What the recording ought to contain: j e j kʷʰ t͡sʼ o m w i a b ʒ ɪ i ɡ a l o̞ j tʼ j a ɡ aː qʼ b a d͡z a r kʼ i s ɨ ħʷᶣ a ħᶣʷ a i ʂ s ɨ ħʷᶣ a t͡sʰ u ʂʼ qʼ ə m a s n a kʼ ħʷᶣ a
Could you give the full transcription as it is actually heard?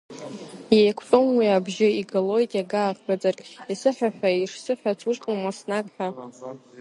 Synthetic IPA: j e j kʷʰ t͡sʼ o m w i a b ʒ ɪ i ɡ a l o̞ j tʼ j a ɡ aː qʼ b a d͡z a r kʼ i s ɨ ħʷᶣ a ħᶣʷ a i ʂ s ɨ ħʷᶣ a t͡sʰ u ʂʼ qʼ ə m a s n a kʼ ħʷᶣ a